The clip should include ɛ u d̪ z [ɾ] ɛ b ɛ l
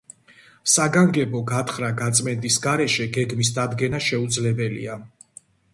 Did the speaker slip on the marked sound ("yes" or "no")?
yes